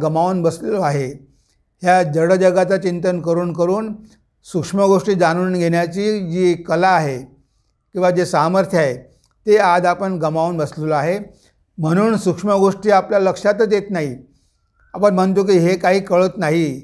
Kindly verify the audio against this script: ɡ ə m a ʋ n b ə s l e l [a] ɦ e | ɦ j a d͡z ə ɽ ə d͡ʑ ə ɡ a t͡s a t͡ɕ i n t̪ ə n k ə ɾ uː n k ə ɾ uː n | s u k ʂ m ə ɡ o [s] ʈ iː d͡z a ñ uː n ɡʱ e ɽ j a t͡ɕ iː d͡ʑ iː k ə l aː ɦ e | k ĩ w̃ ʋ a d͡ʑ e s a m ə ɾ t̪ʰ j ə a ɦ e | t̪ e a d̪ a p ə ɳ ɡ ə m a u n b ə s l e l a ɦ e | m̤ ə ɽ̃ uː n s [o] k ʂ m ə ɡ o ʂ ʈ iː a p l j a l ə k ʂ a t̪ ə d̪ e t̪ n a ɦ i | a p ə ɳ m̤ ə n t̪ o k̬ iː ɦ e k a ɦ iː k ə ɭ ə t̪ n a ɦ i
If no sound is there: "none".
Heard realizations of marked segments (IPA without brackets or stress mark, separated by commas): a, ʂ, u